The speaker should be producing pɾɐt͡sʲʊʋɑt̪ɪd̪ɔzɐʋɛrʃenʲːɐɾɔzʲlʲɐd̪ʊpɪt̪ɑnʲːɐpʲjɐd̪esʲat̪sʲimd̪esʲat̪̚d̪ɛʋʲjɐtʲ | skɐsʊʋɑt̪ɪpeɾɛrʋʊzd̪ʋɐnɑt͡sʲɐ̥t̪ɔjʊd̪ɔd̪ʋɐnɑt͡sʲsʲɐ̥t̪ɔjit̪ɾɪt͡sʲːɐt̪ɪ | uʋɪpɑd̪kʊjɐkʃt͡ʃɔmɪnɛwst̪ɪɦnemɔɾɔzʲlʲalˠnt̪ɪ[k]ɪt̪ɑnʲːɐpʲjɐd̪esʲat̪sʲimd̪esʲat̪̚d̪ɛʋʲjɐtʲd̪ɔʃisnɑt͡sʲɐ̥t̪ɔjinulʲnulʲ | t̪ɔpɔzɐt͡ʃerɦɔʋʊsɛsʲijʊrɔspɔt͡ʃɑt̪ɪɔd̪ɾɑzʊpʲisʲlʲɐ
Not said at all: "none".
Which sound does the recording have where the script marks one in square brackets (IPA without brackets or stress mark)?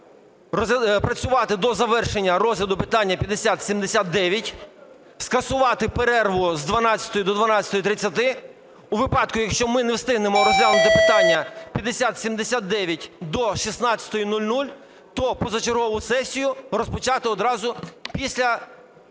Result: p